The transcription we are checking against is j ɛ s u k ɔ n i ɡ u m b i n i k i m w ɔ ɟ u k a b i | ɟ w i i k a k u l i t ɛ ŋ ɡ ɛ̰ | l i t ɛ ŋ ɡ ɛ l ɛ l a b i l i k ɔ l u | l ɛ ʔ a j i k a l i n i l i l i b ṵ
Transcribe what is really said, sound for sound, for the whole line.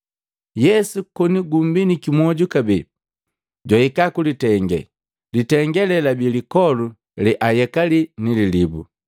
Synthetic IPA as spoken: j ɛ s u k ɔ n i ɡ u m b i n i k i m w ɔ ɟ u k a b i | ɟ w a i k a k u l i t ɛ ŋ ɡ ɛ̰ | l i t ɛ ŋ ɡ ɛ l ɛ l a b i l i k ɔ l u | l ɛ ʔ a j ɛ k a l i n i l i l i b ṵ